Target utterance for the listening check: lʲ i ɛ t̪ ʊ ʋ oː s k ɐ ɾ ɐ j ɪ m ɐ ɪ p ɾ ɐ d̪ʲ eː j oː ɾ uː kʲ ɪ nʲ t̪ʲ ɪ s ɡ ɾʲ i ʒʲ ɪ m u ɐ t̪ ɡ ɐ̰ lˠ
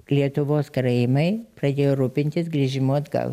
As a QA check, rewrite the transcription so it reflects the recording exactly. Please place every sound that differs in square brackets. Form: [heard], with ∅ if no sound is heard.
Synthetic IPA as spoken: lʲ i ɛ t̪ ʊ ʋ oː s k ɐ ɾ ɐ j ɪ m ɐ ɪ p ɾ ɐ d̪ʲ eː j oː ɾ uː [pʲ] ɪ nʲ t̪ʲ ɪ s ɡ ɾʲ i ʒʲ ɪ m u ɐ [d̪] ɡ ɐ̰ lˠ